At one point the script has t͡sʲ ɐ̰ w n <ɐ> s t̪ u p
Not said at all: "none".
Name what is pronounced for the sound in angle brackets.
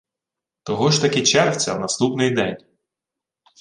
ɐ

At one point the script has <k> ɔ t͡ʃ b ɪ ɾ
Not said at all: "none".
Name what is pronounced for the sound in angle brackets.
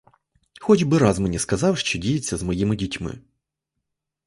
x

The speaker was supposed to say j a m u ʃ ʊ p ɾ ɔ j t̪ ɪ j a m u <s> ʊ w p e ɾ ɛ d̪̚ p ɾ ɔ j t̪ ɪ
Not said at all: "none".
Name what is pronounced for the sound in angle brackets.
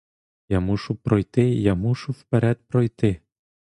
ʃ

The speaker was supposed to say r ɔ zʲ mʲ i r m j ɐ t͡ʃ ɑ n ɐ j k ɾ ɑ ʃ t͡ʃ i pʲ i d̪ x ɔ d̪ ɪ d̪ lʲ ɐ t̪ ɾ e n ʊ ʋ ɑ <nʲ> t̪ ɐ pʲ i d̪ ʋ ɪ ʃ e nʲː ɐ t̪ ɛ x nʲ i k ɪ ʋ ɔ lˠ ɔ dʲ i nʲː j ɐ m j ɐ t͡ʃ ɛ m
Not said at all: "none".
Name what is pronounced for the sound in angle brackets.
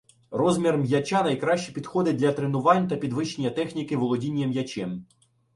nʲ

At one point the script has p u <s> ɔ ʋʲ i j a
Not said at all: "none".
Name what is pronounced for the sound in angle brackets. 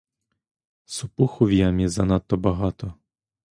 x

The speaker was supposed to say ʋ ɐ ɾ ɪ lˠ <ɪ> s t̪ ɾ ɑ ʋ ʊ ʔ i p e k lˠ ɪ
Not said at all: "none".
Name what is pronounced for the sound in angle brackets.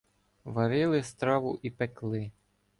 ɪ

